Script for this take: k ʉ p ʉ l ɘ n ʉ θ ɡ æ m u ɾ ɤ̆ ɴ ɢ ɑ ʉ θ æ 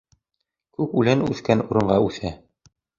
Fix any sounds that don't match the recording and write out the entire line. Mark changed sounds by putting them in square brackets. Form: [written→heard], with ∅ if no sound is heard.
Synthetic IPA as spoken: k ʉ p ʉ l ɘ n ʉ θ [ɡ→k] æ [m→n] u ɾ ɤ̆ ɴ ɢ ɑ ʉ θ æ